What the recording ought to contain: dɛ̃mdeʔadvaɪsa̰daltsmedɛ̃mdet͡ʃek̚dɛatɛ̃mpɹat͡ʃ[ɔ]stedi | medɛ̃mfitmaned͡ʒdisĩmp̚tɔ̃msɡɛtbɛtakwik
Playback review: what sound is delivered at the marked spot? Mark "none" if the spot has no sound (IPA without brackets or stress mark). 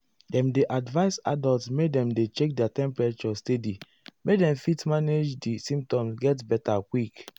ɔ